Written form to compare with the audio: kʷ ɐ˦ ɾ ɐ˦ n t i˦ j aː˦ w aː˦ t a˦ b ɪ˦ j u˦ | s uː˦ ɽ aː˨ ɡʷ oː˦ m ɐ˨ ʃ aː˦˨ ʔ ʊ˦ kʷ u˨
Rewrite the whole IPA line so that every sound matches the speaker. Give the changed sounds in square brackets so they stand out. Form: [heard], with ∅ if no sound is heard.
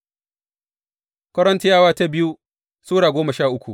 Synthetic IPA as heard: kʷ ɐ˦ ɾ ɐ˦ n t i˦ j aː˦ w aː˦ t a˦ b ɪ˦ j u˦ | s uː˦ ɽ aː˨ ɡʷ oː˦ m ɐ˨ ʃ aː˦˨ ʔ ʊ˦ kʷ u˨